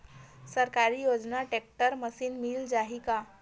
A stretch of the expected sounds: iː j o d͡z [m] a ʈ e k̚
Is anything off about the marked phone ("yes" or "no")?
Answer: yes